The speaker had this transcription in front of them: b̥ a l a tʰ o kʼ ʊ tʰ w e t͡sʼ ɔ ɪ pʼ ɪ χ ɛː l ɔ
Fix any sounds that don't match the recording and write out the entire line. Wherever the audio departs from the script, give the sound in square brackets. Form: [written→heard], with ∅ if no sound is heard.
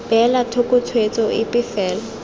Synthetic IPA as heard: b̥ [a→ɛ] l a tʰ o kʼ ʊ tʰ w e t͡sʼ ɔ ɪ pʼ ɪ [χ→f] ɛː l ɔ